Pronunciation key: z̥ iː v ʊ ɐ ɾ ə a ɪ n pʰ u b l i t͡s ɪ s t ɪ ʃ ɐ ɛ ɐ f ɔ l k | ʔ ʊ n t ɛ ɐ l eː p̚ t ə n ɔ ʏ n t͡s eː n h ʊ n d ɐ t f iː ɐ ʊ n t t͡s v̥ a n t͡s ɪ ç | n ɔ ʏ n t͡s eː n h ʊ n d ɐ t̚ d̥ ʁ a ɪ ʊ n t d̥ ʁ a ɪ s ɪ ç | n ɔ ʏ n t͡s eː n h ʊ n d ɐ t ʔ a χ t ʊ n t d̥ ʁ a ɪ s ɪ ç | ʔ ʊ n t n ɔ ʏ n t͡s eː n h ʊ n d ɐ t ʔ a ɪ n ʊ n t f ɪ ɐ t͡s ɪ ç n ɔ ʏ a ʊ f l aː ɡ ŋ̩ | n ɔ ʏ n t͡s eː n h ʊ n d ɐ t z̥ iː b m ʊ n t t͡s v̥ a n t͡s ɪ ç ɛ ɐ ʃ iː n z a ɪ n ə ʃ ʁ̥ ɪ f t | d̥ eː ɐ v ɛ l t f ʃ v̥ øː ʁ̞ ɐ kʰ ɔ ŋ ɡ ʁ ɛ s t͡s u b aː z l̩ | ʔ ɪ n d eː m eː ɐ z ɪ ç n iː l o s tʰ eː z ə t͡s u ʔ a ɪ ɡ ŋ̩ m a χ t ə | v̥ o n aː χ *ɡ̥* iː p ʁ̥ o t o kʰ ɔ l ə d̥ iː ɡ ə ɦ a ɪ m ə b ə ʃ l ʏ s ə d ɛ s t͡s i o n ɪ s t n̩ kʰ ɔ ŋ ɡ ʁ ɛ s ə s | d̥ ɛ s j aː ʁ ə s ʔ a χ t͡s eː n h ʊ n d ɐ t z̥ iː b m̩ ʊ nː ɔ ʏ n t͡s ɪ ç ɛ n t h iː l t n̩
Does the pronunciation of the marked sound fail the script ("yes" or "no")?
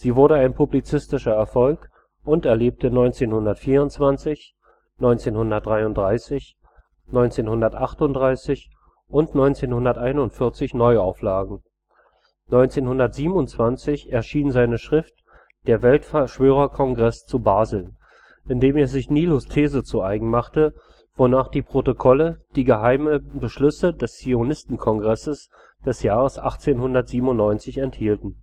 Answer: yes